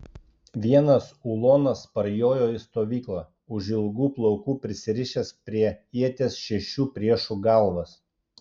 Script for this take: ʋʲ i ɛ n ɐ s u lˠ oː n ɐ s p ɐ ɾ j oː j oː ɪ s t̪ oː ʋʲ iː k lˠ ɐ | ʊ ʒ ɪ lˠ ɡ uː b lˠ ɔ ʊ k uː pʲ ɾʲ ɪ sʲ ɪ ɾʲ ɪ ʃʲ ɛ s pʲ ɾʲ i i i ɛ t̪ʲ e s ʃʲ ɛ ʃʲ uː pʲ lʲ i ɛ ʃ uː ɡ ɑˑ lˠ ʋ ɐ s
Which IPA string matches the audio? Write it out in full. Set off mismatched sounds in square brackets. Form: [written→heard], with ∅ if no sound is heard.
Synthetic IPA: ʋʲ i ɛ n ɐ s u lˠ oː n ɐ s p ɐ ɾ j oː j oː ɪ s t̪ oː ʋʲ iː k lˠ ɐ | ʊ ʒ ɪ lˠ ɡ uː [b→p] lˠ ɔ ʊ k uː pʲ ɾʲ ɪ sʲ ɪ ɾʲ ɪ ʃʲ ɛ s pʲ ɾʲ i [i→ɛ] i ɛ t̪ʲ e s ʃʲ ɛ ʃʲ uː pʲ [lʲ→ɾʲ] i ɛ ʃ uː ɡ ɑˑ lˠ ʋ ɐ s

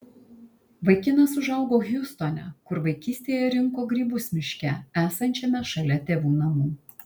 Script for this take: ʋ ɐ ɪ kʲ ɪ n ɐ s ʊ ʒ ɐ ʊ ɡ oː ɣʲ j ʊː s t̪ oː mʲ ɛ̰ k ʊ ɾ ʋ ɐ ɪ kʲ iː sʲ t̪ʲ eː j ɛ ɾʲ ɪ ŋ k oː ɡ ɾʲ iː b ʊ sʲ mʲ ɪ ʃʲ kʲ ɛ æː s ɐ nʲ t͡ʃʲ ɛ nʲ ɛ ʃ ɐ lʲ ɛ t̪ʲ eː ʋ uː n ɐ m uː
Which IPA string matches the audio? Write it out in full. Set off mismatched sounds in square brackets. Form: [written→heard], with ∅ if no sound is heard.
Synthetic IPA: ʋ ɐ ɪ kʲ ɪ n ɐ s ʊ ʒ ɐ ʊ ɡ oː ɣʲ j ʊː s t̪ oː [mʲ→nʲ] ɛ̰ k ʊ ɾ ʋ ɐ ɪ kʲ iː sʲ t̪ʲ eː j ɛ ɾʲ ɪ ŋ k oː ɡ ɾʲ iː b ʊ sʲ mʲ ɪ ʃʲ kʲ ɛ æː s ɐ nʲ t͡ʃʲ ɛ [nʲ→mʲ] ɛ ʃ ɐ lʲ ɛ t̪ʲ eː ʋ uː n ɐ m uː

